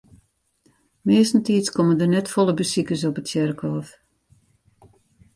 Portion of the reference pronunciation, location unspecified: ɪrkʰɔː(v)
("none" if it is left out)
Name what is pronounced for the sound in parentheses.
f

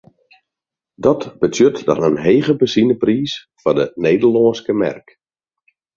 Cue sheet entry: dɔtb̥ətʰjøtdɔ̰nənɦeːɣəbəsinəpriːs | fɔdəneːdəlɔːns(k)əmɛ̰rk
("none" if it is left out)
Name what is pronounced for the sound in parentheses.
k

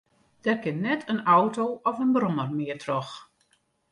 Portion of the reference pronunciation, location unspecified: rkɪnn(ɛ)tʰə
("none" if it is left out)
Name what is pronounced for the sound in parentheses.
ɛ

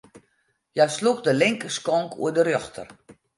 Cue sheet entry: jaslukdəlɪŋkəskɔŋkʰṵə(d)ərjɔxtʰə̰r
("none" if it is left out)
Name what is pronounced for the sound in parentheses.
d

